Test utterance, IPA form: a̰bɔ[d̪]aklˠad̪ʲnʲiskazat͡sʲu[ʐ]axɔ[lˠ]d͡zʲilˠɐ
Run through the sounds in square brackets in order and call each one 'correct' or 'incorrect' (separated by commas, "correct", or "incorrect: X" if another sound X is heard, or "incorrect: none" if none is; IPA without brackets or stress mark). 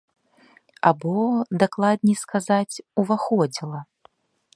correct, incorrect: v, incorrect: none